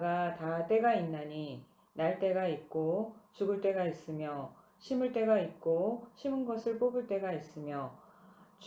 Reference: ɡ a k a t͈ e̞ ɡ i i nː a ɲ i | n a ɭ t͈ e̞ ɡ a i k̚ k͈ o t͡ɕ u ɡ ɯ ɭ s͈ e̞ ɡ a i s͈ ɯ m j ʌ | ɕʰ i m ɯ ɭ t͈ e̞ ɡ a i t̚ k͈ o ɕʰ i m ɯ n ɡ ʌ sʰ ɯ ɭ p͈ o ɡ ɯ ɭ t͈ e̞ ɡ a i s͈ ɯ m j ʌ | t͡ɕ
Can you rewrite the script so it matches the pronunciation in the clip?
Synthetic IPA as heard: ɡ a t a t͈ e̞ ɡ a i nː a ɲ i | n a ɭ t͈ e̞ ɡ a i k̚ k͈ o t͡ɕ u ɡ ɯ ɭ t͈ e̞ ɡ a i s͈ ɯ m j ʌ | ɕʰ i m ɯ ɭ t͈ e̞ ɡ a i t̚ k͈ o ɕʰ i m ɯ n ɡ ʌ sʰ ɯ ɭ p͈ o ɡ ɯ ɭ t͈ e̞ ɡ a i s͈ ɯ m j ʌ | t͡ɕ